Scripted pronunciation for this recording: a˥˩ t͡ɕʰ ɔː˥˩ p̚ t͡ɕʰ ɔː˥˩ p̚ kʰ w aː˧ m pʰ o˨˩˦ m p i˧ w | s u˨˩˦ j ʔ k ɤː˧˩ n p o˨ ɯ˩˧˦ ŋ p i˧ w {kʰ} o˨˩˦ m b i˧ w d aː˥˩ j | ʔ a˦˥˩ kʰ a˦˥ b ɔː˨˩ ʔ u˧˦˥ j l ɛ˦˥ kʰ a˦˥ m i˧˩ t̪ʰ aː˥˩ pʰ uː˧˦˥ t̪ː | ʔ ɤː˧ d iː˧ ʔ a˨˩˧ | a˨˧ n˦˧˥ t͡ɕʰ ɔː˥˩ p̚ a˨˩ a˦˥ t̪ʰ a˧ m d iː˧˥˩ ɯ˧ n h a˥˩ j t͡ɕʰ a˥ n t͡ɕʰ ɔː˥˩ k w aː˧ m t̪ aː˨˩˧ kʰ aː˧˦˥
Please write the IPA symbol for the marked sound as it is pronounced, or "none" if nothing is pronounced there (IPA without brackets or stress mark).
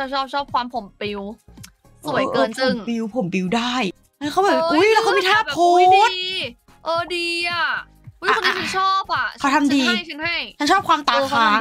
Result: pʰ